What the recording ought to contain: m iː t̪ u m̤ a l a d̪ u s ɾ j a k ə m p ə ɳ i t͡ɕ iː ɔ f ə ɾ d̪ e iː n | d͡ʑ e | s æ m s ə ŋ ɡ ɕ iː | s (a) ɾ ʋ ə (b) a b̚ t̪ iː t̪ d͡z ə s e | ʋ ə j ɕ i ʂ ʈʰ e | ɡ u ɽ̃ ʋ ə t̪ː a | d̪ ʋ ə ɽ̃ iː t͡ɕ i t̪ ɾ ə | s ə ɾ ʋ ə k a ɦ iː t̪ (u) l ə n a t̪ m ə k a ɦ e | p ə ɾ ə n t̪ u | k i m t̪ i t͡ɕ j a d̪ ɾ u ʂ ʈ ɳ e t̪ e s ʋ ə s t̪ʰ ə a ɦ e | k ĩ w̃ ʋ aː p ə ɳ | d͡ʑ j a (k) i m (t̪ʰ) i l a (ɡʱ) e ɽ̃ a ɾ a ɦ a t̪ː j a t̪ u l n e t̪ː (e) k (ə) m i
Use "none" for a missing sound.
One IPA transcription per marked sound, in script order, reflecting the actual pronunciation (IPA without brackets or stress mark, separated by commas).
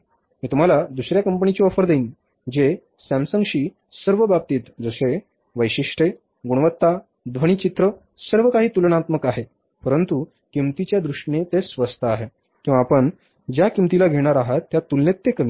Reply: ə, b, u, k, t̪, ɡʱ, e, ə